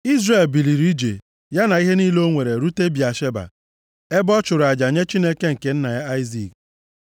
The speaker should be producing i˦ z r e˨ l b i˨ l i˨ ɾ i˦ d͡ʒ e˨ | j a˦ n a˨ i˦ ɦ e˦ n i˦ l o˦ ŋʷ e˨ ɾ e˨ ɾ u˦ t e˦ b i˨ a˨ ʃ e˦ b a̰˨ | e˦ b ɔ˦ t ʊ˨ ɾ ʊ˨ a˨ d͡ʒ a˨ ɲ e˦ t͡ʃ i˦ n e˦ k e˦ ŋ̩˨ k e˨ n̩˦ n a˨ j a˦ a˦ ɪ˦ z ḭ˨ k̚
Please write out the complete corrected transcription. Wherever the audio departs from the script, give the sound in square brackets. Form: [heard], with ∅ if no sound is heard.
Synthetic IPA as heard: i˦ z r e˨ l b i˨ l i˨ ɾ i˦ d͡ʒ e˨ | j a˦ n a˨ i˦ ɦ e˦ n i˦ l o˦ ŋʷ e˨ ɾ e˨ ɾ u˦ t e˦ b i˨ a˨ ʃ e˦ b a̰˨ | e˦ b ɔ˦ [t͡ʃ] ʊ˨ ɾ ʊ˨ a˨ d͡ʒ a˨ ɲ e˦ t͡ʃ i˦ n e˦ k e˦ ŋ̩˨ k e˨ n̩˦ n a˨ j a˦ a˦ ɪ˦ z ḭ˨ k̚